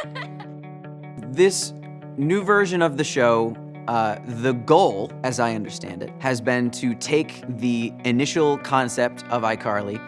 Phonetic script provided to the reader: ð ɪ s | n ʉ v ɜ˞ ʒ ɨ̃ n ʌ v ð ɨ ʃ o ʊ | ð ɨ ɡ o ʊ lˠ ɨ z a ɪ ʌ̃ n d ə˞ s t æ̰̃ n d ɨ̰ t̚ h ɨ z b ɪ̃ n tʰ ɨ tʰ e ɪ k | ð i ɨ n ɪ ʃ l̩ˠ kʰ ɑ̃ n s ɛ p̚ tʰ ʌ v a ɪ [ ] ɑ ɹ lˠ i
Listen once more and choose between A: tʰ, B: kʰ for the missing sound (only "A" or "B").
B